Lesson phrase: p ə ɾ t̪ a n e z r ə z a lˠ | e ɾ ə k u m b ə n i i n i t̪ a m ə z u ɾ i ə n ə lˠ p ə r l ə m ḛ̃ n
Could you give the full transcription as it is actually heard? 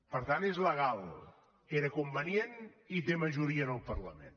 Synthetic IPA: p ə ɾ t̪ a n e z l ə ɣ a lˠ | e ɾ ə k u m b ə n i e n i t̪ e m ə ʒ u ɾ i ə n ə lˠ p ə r l ə m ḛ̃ n

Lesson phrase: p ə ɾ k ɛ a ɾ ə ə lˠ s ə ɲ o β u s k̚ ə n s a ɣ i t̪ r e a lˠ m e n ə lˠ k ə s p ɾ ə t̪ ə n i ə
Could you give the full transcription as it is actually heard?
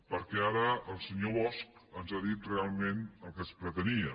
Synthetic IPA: p ə ɾ k ɛ a ɾ ə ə lˠ s ə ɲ o β ɔ s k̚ ə n z a ð i t̪ r e a lˠ m e n ə lˠ k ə s p ɾ ə t̪ ə n i ə

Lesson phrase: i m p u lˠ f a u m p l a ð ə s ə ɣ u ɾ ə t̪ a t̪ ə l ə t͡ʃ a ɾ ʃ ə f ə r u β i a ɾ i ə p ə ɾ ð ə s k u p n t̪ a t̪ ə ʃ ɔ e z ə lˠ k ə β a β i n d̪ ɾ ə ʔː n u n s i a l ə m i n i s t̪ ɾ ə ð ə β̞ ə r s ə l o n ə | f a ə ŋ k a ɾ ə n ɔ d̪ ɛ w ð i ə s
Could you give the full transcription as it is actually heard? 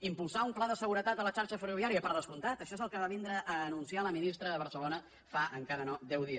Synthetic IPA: i m p u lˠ s a u m p l a ð ə s ə ɣ u ɾ ə t̪ a t̪ ə l ə t͡ʃ a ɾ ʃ ə f ə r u β i a ɾ i ə p ə ɾ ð ə s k u n t̪ a t̪ ə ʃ ɔ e z ə lˠ k ə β a β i n d̪ ɾ ə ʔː n u n s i a l ə m i n i s t̪ ɾ ə ð ə β̞ ə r s ə l o n ə | f a ə ŋ k a ɾ ə n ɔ d̪ ɛ w ð i ə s

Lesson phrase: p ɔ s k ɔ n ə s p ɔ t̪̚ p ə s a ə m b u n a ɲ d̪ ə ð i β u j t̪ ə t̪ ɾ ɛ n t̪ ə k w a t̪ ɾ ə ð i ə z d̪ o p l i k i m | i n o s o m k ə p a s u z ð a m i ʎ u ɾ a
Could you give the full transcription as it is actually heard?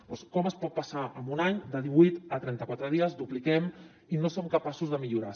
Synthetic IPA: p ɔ s k ɔ m ə s p ɔ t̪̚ p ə s a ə m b u n a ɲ d̪ ə ð i β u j t̪ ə t̪ ɾ ɛ n t̪ ə k w a t̪ ɾ ə ð i ə z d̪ u p l i k ɛ m | i n o s o m k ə p a s u z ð ə m i ʎ u ɾ a

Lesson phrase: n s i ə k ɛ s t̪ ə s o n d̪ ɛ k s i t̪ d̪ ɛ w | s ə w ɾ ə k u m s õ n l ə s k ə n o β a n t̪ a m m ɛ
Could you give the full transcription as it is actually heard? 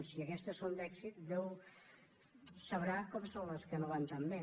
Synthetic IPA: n s i ə k ɛ s t̪ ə s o n d̪ ɛ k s i t̪ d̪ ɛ w | s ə β ɾ a k ɔ m s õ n l ə s k ə n o β a n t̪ a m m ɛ

